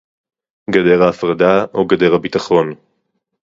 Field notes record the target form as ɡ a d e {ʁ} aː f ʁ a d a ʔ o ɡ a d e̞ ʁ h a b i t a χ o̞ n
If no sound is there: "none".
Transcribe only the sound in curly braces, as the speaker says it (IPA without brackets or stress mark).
ʁ